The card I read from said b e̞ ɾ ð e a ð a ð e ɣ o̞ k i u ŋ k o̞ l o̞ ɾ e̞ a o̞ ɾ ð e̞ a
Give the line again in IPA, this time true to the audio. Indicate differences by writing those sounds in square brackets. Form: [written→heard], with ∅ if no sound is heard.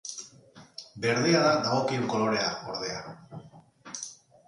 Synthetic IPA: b e̞ ɾ ð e a ð a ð [e→a] ɣ o̞ k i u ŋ k o̞ l o̞ ɾ e̞ a o̞ ɾ ð e̞ a